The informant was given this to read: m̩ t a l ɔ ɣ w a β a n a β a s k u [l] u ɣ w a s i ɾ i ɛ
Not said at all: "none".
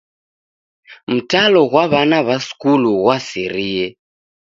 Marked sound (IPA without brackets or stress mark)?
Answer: l